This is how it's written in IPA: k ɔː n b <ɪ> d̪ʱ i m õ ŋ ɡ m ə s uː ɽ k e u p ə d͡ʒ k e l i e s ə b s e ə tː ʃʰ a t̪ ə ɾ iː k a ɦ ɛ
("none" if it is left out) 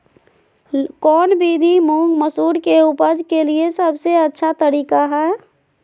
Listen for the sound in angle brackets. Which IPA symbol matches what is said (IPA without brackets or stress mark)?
i